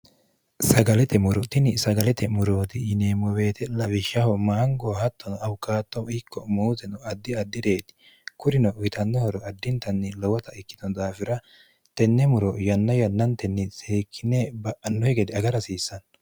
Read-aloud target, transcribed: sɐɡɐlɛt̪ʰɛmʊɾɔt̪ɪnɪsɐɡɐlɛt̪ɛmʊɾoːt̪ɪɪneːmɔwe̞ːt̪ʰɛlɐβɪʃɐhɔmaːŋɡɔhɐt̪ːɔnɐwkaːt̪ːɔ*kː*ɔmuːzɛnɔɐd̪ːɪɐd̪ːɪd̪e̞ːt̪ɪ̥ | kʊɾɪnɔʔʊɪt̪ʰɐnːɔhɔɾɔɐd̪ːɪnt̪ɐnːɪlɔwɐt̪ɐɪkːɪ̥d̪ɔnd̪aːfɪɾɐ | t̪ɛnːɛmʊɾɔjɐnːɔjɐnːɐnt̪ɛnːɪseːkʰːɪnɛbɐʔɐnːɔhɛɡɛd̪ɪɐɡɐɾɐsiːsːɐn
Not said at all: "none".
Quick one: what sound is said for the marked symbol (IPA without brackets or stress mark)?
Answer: kː